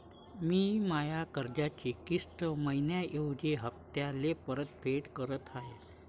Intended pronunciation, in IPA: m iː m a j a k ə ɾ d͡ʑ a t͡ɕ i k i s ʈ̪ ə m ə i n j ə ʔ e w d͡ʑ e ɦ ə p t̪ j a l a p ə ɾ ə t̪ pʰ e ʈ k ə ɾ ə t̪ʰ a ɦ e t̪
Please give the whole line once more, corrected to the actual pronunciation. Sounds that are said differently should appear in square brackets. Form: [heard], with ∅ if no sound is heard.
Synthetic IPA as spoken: m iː m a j a k ə ɾ d͡ʑ a t͡ɕ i k i s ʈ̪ ə m ə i n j [a] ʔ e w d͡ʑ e ɦ ə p t̪ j a l [e] p ə ɾ ə t̪ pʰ e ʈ k ə ɾ ə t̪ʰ a ɦ e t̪